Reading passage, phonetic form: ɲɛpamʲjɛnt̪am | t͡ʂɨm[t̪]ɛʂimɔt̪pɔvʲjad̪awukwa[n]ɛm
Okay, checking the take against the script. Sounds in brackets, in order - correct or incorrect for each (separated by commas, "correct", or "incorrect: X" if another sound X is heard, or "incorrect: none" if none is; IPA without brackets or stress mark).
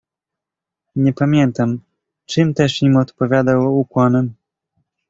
correct, correct